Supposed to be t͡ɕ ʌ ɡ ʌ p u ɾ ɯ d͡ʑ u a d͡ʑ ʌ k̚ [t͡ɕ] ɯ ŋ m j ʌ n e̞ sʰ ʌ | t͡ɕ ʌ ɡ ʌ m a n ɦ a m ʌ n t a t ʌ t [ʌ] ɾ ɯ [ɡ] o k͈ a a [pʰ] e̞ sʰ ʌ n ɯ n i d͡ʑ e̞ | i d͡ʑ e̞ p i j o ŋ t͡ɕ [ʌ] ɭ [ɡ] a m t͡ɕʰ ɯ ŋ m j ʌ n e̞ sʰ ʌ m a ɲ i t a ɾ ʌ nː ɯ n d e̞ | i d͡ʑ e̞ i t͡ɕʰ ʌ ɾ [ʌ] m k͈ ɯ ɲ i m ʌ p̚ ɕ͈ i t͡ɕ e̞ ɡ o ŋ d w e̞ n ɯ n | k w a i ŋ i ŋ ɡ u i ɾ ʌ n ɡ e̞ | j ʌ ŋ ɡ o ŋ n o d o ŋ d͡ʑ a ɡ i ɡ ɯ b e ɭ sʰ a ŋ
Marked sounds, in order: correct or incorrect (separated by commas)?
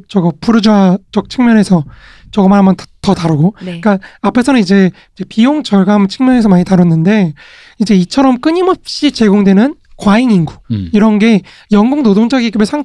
incorrect, incorrect, correct, correct, correct, correct, correct